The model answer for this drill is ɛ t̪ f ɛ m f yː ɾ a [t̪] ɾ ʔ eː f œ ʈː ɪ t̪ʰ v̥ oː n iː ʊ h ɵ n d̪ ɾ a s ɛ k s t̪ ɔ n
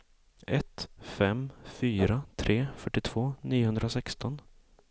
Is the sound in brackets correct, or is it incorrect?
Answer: incorrect